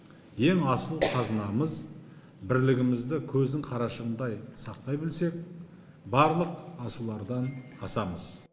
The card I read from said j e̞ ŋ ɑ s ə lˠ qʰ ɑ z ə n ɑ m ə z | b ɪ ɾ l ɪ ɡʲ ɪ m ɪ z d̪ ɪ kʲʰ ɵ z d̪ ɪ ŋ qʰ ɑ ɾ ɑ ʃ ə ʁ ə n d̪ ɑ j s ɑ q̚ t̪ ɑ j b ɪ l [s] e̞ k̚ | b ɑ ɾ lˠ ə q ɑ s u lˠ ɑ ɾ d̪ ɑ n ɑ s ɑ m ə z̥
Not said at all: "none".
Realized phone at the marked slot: s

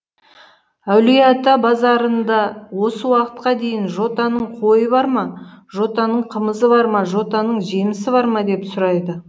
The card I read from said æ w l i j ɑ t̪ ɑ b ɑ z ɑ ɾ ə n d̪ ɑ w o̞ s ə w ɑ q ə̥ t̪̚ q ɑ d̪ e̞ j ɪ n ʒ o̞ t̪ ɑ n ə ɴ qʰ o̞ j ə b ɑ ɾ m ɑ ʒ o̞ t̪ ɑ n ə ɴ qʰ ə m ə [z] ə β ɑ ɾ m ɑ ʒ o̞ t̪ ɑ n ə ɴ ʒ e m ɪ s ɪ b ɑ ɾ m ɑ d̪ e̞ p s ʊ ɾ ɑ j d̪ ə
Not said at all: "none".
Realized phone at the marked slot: z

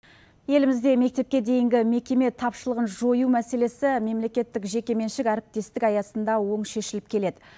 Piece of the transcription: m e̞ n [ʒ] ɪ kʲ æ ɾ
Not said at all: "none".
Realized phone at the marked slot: ʃ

